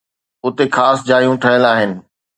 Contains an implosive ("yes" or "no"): no